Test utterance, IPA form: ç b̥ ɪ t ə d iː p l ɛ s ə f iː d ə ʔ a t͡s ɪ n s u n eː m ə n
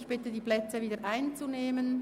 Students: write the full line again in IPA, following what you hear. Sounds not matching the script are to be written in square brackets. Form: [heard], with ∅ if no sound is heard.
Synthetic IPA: ç b̥ ɪ t ə d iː p l ɛ [t͡s] ə [v] iː d ə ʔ a [∅] ɪ n [t͡s] u n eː m ə n